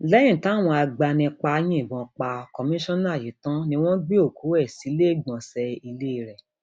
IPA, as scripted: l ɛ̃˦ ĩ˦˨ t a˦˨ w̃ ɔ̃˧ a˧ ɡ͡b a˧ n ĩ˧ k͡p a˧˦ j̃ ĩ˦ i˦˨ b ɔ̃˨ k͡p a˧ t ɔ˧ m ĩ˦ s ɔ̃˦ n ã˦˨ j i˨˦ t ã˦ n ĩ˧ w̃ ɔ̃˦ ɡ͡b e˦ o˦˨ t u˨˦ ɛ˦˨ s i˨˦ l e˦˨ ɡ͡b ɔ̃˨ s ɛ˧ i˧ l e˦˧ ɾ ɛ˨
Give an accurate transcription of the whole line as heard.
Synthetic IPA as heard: l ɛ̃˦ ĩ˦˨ t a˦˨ w̃ ɔ̃˧ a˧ ɡ͡b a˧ n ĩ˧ k͡p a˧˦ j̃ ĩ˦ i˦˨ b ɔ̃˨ k͡p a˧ k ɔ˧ m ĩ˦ ʃ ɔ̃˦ n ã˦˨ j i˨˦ t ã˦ n ĩ˧ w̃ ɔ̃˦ ɡ͡b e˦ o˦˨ k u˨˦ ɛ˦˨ s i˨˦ l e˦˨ ɡ͡b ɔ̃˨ s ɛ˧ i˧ l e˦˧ ɾ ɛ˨